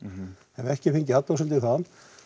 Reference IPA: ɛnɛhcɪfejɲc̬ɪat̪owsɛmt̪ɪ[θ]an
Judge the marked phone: correct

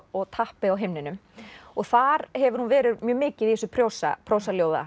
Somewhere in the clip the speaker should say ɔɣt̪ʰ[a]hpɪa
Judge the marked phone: correct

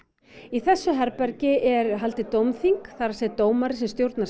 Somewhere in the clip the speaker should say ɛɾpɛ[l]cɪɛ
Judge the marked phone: incorrect: ɾ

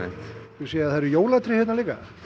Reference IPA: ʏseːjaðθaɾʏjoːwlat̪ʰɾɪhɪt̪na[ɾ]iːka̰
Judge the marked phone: incorrect: l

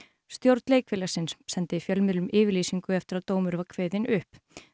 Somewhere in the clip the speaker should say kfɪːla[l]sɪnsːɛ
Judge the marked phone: incorrect: none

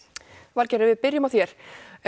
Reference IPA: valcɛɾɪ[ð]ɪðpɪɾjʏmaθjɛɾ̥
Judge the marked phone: incorrect: v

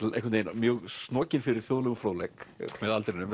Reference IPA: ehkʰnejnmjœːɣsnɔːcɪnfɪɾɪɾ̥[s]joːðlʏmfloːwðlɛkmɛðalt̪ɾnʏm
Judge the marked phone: incorrect: θ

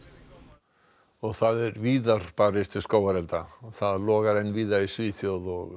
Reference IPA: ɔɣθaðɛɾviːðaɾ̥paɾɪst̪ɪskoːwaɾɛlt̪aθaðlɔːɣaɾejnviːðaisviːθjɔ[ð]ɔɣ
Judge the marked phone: correct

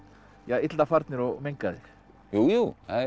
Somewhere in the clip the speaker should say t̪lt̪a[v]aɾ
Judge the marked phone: incorrect: f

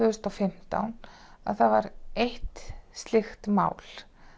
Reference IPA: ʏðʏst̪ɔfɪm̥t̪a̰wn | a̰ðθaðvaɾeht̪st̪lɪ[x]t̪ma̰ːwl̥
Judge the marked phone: correct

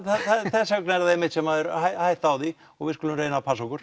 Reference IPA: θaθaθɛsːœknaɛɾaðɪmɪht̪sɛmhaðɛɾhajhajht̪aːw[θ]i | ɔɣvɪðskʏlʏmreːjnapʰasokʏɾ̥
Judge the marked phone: incorrect: ð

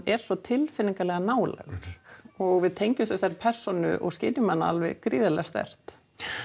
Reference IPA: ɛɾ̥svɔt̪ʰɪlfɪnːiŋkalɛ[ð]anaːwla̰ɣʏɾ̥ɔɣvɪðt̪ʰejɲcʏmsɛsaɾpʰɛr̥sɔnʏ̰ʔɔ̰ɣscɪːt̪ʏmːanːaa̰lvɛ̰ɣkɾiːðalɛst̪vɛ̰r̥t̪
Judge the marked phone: incorrect: ɣ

